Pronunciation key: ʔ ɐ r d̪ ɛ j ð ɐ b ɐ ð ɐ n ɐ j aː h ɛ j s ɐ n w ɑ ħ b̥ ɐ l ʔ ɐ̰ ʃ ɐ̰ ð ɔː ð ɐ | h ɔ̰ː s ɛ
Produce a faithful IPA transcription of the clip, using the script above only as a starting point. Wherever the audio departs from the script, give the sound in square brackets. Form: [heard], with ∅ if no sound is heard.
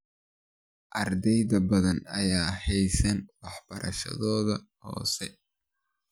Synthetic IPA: ʔ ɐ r d̪ ɛ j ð ɐ b ɐ ð ɐ n ɐ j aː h ɛ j s ɐ n w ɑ ħ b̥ ɐ [ɾ] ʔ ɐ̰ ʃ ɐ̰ ð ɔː ð ɐ | h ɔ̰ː s ɛ